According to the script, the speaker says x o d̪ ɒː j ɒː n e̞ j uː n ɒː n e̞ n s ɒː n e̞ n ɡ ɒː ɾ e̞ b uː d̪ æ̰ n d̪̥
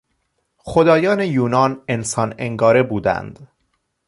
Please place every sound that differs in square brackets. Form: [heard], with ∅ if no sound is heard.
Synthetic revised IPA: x o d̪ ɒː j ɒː n e̞ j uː n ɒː n e̞ n s ɒː n e̞ [ŋ] ɡ ɒː ɾ e̞ b uː d̪ æ̰ n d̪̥